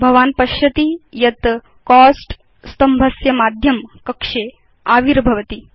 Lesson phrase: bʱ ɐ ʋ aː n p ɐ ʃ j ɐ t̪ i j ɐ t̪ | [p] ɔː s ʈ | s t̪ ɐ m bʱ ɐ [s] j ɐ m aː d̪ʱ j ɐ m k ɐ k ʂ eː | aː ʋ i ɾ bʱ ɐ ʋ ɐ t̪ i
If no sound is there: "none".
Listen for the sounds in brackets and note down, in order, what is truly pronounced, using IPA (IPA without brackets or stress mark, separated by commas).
k, s